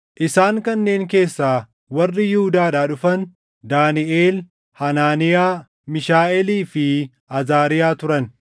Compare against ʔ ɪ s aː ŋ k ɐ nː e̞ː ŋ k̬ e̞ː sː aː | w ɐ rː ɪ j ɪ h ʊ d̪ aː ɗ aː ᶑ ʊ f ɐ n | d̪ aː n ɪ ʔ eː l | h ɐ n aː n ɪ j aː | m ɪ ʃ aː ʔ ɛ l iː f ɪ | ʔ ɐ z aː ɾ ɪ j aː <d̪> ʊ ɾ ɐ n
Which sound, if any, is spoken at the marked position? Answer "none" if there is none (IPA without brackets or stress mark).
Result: t̪